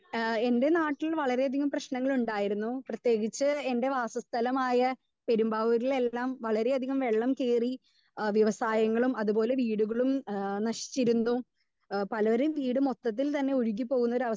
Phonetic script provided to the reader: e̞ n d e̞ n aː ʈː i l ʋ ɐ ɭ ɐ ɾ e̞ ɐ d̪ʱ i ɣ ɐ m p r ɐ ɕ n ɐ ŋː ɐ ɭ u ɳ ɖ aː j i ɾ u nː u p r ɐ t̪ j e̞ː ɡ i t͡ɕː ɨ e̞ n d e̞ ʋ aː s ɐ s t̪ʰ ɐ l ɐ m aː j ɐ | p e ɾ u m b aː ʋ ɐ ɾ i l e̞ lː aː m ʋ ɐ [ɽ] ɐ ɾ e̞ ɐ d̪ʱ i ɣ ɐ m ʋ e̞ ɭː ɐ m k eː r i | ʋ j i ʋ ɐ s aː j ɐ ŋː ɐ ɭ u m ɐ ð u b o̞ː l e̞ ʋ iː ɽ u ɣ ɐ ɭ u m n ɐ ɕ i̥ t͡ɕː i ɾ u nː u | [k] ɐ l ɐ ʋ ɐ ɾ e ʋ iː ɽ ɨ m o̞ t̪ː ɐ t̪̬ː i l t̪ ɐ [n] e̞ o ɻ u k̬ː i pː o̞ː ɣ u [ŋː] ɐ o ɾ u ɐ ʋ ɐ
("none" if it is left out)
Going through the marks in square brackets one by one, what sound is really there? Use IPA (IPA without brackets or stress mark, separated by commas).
ɭ, p, nː, nː